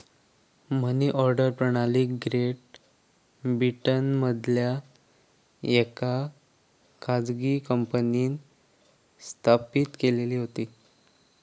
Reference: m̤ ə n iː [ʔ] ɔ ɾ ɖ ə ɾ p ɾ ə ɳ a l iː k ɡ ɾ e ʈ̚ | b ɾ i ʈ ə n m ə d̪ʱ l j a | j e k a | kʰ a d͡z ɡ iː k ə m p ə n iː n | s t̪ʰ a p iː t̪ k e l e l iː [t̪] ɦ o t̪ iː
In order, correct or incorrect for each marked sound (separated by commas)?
correct, incorrect